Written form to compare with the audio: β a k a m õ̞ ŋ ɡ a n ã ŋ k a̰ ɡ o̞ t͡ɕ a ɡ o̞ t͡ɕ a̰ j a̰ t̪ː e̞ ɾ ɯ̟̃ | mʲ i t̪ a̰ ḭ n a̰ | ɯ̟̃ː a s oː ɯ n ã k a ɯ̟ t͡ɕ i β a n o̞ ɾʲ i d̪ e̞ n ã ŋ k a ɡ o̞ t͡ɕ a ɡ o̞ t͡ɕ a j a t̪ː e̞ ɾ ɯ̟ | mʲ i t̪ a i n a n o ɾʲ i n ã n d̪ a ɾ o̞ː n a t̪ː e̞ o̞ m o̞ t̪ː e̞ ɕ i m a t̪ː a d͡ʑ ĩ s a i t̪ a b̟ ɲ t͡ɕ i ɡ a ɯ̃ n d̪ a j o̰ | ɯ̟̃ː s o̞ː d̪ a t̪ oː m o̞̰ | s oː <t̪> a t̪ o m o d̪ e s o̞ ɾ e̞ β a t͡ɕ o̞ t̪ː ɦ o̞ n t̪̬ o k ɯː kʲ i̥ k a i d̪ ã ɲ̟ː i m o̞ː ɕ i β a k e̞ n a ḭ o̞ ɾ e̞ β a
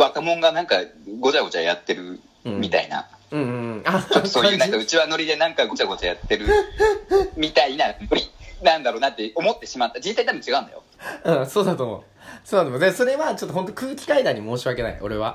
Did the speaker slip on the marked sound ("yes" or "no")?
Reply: yes